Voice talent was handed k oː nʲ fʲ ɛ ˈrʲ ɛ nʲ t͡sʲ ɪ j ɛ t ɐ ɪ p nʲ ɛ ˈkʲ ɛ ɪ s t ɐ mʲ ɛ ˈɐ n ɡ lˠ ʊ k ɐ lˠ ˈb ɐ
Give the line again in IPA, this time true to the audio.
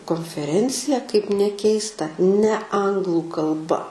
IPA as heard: k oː nʲ fʲ ɛ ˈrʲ ɛ nʲ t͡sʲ ɪ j ɛ k ɐ ɪ p nʲ ɛ ˈkʲ ɛ ɪ s t ɐ nʲ ɛ ˈɐ ŋ ɡ lˠ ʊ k ɐ lˠ ˈb ɐ